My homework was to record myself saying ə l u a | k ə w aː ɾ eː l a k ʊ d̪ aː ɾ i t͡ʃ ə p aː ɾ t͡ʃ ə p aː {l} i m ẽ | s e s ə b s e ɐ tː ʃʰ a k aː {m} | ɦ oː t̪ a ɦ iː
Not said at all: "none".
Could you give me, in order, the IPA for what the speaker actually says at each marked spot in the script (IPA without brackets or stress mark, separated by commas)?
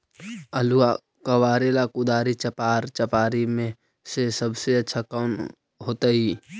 ɾ, n